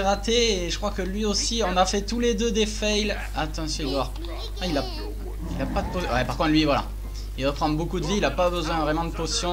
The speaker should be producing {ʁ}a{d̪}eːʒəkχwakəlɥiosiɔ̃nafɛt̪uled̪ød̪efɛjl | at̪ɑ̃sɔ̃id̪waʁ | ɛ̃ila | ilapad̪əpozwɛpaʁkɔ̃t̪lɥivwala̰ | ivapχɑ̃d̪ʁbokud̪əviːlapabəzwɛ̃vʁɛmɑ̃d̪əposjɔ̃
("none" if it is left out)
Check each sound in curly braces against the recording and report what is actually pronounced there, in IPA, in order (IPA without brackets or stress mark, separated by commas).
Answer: ʁ, t̪